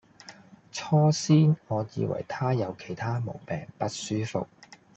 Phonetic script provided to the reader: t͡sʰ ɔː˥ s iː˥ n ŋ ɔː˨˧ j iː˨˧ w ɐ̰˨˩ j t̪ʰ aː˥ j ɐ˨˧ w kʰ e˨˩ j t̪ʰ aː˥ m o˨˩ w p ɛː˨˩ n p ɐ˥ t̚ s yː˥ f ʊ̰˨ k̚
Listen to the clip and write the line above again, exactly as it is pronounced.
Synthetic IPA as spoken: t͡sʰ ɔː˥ s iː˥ n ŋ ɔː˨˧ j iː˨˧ w ɐ̰˨˩ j t̪ʰ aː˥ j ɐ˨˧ w kʰ e˨˩ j t̪ʰ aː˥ m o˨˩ w p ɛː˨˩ ŋ p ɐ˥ t̚ s yː˥ f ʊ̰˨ k̚